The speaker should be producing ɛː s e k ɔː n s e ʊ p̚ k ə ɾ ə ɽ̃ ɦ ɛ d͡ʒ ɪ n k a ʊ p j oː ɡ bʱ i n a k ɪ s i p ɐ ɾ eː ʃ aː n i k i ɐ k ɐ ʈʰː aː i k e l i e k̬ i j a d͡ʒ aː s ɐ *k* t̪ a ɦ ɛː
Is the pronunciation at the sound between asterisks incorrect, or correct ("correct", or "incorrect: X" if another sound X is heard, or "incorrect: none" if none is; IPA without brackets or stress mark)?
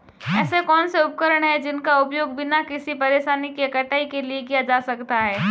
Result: correct